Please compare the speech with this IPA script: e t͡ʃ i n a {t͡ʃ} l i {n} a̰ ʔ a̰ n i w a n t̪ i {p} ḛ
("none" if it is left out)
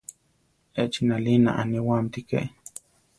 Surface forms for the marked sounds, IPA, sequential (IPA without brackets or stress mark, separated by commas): none, n, k